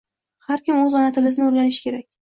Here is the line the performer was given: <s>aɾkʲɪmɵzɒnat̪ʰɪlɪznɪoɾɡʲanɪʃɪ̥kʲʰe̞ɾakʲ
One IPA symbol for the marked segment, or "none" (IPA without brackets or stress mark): h